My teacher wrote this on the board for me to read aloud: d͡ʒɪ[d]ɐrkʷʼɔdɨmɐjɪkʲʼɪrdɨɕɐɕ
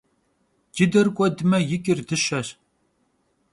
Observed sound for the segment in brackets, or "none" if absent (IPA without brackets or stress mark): d